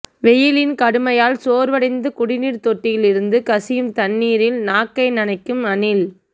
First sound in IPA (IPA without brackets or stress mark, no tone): ʋ